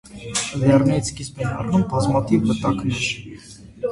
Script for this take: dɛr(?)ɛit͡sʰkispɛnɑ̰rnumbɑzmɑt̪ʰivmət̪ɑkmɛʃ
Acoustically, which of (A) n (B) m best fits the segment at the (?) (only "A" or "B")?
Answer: A